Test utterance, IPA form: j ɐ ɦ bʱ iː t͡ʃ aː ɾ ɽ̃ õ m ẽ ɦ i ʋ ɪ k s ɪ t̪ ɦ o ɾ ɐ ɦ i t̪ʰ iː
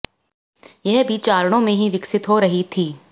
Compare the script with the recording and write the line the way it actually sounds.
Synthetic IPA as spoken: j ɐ ɦ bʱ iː t͡ʃ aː ɾ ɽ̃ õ m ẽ ɦ i ʋ ɪ k s ɪ t̪ ɦ o ɾ ɐ ɦ i t̪ʰ iː